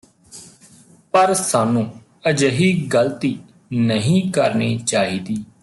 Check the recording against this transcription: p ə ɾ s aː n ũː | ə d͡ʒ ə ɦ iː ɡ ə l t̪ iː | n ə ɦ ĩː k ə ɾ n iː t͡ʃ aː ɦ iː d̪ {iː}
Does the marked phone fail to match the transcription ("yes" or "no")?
no